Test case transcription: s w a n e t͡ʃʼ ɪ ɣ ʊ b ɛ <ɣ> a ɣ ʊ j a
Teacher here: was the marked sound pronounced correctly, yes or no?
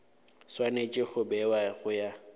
no